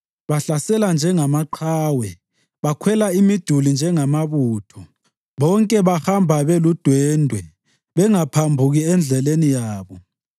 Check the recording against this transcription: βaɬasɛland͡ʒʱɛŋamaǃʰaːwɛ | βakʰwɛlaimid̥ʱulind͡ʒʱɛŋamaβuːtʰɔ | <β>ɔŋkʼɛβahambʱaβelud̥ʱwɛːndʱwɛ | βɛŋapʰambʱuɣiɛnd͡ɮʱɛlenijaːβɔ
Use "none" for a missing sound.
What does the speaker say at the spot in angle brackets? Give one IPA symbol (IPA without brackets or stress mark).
β